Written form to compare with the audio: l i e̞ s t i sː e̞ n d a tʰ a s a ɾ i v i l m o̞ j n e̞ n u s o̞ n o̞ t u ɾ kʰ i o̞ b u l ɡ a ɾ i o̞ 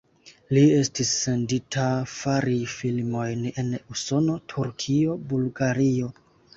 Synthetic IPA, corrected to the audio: l i e̞ s t i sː e̞ n d i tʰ a f a ɾ i f i l m o̞ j n e̞ n u s o̞ n o̞ tʰ u ɾ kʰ i o̞ b u l ɡ a ɾ i o̞